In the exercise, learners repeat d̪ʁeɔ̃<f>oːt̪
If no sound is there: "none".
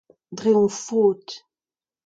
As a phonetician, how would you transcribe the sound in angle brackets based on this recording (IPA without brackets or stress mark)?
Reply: f